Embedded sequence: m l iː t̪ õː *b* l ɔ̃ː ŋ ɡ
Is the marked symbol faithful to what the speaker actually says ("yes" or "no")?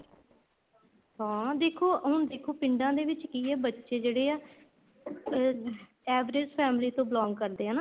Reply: yes